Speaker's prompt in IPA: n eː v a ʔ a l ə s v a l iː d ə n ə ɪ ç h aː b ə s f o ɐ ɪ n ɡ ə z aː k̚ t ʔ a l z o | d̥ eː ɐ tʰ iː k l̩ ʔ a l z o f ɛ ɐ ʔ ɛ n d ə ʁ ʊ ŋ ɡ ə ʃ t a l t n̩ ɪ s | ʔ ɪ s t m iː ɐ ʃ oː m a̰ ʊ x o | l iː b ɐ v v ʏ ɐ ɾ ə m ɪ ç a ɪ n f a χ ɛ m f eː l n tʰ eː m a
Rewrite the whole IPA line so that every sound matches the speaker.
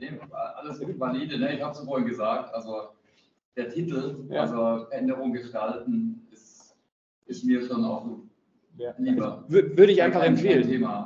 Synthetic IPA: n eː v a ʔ a l ə s v a l iː d ə n ə ɪ ç h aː b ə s f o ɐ ɪ n ɡ ə z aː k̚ t ʔ a l z o | d̥ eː ɐ tʰ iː t l̩ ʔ a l z o f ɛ ɐ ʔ ɛ n d ə ʁ ʊ ŋ ɡ ə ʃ t a l t n̩ ɪ s | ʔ ɪ s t m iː ɐ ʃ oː n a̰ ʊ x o | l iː b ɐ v v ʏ ɐ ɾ ə ɪ ç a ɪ n f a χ ɛ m f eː l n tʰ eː m a